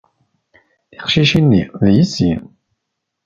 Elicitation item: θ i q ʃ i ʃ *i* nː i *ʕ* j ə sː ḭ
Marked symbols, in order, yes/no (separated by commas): yes, no